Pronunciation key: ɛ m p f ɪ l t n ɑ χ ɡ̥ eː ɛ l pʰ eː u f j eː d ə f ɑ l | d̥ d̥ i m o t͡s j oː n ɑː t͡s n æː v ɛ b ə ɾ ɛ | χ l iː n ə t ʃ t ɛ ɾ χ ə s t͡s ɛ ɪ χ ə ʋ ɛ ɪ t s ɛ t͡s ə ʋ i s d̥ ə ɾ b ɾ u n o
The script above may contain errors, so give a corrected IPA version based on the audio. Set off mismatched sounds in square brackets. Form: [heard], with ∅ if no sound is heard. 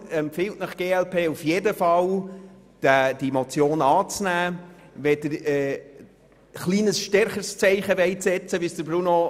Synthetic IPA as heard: ɛ m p f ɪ l t n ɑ χ ɡ̥ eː ɛ l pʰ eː u f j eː d ə f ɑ l | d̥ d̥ i m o t͡s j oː n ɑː t͡s n æː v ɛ [d] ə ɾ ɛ | χ l iː n ə [s] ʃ t ɛ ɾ χ ə s t͡s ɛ ɪ χ ə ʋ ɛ ɪ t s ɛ t͡s ə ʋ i s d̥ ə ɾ b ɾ u n o